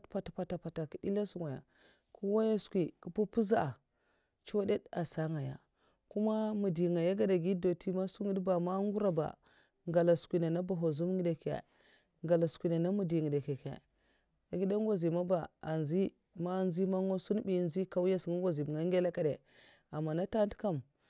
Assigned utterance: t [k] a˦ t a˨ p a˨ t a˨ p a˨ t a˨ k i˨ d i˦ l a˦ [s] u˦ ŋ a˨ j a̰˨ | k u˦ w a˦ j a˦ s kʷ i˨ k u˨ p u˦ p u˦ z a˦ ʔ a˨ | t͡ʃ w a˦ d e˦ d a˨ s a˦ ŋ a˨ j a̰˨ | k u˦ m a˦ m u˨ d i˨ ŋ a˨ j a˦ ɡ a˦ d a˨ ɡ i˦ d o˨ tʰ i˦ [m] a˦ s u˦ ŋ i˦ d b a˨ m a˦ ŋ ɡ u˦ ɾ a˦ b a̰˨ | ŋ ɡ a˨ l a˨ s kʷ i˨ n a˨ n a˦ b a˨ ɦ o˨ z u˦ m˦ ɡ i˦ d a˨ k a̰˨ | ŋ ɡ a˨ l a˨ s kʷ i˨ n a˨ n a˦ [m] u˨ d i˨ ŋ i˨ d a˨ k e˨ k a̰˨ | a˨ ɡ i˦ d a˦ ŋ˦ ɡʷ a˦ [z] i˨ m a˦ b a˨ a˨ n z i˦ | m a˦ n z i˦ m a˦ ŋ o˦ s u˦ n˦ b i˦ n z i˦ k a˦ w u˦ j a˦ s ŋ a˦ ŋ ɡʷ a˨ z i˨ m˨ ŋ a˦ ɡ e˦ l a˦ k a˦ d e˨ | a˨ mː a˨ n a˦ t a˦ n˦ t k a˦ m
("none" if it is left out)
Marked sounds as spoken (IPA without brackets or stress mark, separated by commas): p, s, m, m, z